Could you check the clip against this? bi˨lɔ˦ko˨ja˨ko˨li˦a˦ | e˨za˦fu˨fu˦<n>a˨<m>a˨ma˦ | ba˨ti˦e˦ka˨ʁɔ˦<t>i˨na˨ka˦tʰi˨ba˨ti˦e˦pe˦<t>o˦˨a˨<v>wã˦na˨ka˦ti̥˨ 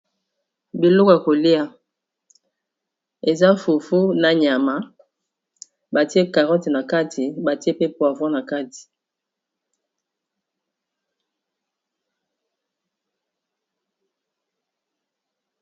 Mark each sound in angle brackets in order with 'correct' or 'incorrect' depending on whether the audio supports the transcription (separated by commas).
correct, incorrect, correct, incorrect, correct